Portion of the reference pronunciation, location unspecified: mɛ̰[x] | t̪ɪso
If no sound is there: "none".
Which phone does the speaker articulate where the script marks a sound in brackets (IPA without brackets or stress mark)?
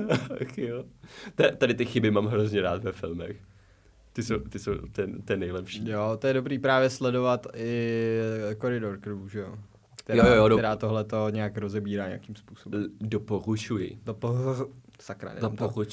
x